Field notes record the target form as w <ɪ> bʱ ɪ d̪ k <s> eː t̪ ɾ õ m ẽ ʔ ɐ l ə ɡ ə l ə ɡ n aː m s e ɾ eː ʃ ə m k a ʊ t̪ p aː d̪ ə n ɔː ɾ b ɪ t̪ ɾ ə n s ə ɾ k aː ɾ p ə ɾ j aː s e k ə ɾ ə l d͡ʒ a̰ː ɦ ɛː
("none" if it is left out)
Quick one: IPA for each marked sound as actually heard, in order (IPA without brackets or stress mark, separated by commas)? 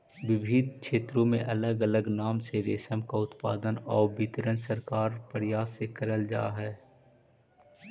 ɪ, ʃ